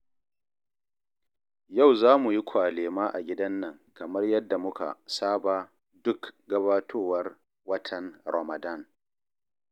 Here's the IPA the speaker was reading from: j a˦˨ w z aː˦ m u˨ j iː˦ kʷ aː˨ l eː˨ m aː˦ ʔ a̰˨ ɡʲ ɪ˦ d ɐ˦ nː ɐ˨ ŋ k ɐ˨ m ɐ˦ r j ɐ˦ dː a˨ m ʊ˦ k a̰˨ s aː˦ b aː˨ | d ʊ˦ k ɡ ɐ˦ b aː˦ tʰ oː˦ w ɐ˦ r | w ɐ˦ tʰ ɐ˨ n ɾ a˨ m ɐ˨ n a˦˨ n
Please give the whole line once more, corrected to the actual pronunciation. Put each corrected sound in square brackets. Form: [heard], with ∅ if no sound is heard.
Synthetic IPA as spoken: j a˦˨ w z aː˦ m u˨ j [i˦] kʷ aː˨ l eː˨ m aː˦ ʔ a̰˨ ɡʲ ɪ˦ d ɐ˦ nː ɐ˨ ŋ k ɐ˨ m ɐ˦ r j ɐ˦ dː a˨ m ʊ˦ k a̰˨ s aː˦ b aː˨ | d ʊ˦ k ɡ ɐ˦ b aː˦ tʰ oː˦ w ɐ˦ r | w ɐ˦ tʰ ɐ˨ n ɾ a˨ m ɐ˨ [d] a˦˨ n